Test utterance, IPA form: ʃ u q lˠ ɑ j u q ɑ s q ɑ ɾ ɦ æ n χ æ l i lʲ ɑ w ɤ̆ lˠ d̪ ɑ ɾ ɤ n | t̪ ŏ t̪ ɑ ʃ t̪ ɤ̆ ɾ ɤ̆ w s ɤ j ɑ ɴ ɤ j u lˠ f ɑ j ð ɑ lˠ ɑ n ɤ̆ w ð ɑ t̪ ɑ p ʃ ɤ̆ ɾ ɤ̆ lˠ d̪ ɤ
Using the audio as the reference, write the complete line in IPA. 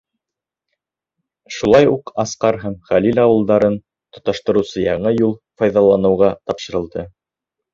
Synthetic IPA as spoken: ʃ u lˠ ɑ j u q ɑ s q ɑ ɾ ɦ æ m χ æ l i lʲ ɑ w ɤ̆ lˠ d̪ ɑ ɾ ɤ n | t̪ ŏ t̪ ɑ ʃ t̪ ɤ̆ ɾ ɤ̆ w s ɤ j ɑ ɴ ɤ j u lˠ f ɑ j ð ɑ lˠ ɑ n ɤ̆ w ʁ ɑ t̪ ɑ p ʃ ɤ̆ ɾ ɤ̆ lˠ d̪ ɤ